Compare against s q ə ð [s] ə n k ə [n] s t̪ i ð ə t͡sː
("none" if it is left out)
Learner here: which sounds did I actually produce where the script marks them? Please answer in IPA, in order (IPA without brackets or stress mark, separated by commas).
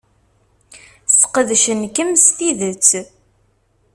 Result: ʃ, m